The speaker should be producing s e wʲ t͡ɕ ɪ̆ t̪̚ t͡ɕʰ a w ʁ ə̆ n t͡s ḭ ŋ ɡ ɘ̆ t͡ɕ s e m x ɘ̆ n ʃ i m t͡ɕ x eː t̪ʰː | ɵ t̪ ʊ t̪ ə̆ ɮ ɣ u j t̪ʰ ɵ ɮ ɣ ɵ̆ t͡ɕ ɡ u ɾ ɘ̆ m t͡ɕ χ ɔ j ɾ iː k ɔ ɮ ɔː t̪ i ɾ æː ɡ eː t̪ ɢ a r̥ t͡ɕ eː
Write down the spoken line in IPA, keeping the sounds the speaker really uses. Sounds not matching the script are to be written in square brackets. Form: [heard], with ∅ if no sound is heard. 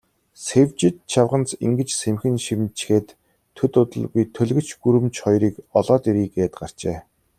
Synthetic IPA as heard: s e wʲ t͡ɕ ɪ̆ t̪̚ t͡ɕʰ a w ʁ ə̆ n t͡s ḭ ŋ ɡ ɘ̆ t͡ɕ s e m x ɘ̆ n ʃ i m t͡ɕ x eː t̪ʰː | ɵ t̪ ʊ t̪ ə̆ ɮ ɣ u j t̪ʰ ɵ ɮ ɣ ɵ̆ t͡ɕ ɡ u ɾ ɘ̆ m t͡ɕ χ ɔ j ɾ iː k ɔ ɮ ɔː t̪ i ɾ [iː] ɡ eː t̪ ɢ a r̥ t͡ɕ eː